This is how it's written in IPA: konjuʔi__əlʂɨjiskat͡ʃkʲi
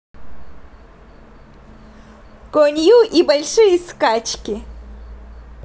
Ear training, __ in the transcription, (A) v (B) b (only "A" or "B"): B